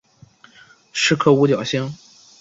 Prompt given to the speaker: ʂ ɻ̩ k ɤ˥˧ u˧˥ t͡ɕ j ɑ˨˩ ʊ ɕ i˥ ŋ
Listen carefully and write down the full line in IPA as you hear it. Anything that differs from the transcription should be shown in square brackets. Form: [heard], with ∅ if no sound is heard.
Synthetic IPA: ʂ ɻ̩ [kʰ] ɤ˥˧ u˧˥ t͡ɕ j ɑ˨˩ ʊ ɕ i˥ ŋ